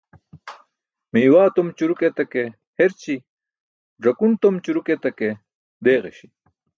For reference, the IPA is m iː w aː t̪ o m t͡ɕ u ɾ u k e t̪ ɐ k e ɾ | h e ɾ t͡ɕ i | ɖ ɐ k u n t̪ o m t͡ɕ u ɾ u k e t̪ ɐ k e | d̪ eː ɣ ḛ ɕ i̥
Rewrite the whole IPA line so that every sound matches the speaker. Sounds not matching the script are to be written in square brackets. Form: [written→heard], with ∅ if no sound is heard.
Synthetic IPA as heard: m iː w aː t̪ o m t͡ɕ u ɾ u k e t̪ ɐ k e [ɾ→∅] | h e ɾ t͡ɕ i | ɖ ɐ k u n t̪ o m t͡ɕ u ɾ u k e t̪ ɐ k e | d̪ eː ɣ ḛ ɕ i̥